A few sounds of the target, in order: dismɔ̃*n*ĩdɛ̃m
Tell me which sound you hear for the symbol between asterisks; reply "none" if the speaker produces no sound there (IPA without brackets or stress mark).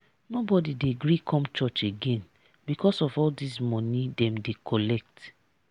n